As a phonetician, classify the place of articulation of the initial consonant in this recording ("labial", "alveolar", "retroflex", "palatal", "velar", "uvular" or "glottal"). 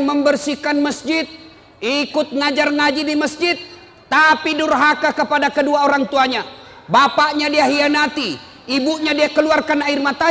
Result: labial